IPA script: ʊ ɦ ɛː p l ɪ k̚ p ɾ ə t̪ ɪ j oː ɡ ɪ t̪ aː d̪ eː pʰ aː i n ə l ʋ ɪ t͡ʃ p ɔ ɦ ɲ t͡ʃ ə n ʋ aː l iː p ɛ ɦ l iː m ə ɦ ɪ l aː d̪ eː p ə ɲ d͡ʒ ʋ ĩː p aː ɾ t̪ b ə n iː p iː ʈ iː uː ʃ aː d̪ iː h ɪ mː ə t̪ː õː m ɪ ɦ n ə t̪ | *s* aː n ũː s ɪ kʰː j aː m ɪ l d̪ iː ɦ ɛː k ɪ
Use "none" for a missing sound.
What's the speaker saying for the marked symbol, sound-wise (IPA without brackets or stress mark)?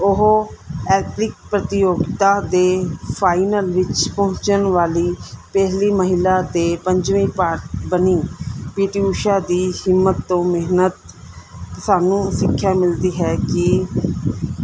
s